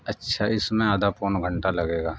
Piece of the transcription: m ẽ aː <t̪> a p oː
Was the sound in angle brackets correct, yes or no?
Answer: no